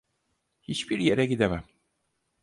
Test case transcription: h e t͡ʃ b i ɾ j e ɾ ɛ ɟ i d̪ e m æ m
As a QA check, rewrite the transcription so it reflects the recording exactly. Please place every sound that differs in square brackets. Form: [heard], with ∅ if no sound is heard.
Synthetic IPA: h [i] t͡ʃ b i ɾ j e ɾ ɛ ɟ i d̪ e m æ m